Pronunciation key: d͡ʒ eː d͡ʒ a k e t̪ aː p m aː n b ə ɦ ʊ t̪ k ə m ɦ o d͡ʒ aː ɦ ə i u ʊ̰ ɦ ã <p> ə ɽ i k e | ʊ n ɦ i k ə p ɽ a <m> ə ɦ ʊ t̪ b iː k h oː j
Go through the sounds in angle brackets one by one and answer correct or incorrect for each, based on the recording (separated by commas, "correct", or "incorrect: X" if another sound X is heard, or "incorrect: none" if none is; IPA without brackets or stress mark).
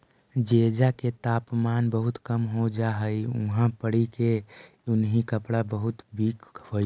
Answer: correct, incorrect: b